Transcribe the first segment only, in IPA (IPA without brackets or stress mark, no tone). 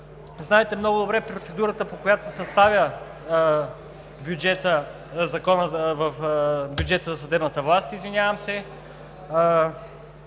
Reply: z